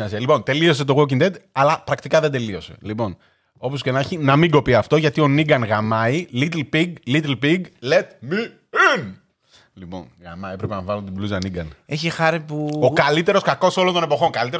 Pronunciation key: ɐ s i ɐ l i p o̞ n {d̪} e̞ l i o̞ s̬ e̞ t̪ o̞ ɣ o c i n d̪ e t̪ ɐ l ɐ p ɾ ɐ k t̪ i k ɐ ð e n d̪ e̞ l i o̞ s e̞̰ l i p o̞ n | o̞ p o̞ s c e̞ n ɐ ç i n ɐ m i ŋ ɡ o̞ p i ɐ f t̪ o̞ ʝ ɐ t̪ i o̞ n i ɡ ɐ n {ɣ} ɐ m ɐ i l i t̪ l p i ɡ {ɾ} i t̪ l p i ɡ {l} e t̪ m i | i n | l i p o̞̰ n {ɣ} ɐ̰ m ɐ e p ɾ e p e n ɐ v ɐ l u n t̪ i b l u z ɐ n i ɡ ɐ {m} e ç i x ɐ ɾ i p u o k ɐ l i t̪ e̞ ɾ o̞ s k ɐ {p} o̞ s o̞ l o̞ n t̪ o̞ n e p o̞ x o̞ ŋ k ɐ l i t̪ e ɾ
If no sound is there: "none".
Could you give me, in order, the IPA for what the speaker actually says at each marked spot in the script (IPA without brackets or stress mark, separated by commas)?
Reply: t̪, ɣ, l, l, ɣ, n, k